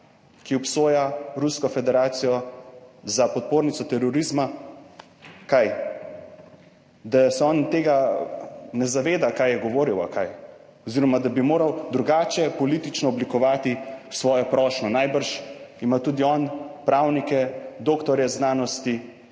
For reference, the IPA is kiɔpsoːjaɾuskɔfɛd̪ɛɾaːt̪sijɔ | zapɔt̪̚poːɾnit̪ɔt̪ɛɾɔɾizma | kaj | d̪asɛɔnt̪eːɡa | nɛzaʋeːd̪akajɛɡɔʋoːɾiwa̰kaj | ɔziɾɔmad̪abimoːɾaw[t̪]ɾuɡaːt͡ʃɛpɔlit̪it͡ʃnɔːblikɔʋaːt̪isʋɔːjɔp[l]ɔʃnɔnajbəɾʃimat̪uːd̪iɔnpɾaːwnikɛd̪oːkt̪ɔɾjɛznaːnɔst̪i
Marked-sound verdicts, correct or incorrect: incorrect, incorrect

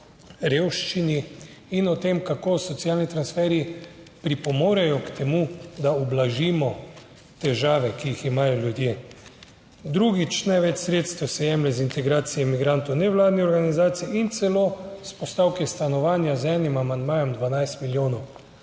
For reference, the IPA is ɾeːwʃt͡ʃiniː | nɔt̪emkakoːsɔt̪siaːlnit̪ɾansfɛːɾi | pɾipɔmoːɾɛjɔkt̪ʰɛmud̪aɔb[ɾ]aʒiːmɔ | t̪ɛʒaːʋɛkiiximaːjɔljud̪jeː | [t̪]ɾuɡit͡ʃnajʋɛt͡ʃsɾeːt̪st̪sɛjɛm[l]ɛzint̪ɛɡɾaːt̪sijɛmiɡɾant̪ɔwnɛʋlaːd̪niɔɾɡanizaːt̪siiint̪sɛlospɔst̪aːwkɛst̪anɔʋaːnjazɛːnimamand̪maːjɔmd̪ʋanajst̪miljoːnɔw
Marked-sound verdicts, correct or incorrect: incorrect, incorrect, correct

